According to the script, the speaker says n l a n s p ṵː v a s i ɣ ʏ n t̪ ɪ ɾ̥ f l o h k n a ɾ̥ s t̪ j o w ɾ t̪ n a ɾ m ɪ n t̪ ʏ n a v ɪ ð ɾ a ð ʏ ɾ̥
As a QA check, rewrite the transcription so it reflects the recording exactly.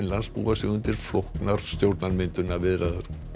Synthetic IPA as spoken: n l a n s p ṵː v a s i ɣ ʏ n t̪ ɪ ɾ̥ f l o h k n a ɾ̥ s t̪ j o w ɾ t̪ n a ɾ m ɪ n t̪ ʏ n a v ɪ ð ɾ a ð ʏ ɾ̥